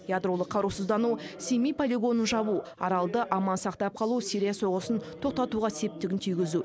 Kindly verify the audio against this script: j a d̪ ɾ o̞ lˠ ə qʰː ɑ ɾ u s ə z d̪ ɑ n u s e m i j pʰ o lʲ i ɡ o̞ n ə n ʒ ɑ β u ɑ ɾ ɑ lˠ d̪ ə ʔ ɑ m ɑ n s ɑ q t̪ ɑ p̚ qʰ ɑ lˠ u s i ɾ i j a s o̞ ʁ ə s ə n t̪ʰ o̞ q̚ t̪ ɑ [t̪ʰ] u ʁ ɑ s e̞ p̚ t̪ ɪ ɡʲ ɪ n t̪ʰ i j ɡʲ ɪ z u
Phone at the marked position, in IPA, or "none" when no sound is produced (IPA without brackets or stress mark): t̪